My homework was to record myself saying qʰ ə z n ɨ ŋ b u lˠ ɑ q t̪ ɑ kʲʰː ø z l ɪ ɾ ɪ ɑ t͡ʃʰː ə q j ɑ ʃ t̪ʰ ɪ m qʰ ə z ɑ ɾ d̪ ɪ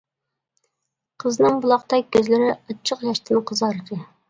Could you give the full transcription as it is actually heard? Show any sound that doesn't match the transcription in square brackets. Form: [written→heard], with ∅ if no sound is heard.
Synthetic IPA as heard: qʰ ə z n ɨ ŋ b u lˠ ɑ q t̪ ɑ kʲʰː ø z l ɪ ɾ ɪ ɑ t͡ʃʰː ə q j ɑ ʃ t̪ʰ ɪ [m→n] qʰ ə z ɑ ɾ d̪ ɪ